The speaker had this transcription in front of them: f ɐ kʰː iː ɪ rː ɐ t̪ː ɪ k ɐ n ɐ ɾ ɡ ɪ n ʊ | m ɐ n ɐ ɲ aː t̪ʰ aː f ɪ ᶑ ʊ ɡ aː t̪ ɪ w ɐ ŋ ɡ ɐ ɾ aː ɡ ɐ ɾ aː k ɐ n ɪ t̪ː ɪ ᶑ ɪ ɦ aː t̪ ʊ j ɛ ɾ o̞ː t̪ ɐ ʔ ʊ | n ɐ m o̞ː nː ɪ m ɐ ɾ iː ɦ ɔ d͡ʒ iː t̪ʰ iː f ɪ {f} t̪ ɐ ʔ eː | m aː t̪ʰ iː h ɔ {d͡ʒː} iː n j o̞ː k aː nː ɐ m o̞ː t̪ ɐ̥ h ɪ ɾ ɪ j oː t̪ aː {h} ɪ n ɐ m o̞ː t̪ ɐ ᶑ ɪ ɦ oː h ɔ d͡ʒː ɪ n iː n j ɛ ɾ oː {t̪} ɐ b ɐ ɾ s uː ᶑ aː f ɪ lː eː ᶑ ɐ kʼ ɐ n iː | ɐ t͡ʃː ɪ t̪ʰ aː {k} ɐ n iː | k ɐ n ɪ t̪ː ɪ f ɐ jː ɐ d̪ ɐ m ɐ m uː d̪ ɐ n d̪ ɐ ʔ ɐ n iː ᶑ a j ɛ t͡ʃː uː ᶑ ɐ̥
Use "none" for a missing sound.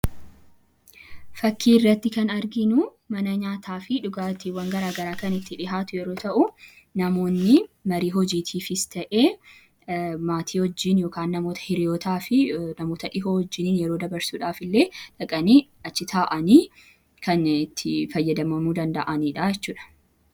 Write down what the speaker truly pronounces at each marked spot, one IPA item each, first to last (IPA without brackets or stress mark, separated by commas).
s, d͡ʒː, f, d̪, ʔ